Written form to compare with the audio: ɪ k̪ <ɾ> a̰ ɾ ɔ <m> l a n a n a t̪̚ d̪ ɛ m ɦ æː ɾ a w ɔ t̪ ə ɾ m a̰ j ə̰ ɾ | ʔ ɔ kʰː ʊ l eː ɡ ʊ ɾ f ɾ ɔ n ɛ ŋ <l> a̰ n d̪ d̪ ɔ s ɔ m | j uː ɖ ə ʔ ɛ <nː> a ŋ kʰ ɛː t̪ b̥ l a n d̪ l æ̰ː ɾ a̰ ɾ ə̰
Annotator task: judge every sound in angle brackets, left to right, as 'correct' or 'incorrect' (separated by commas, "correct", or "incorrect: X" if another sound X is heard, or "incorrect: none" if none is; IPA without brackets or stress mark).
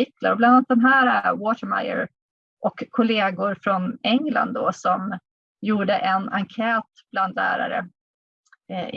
incorrect: l, incorrect: b, correct, incorrect: n